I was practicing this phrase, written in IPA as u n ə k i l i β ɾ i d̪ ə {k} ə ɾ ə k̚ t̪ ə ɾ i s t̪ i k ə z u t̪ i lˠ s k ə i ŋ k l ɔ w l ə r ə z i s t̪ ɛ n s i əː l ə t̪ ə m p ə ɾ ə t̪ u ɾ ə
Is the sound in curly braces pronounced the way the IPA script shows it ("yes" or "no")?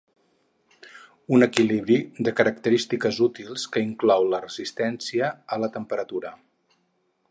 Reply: yes